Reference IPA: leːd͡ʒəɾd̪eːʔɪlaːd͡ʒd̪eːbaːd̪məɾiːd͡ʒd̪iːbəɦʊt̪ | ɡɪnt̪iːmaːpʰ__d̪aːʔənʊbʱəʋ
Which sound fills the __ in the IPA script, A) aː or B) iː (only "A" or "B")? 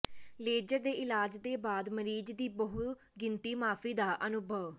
B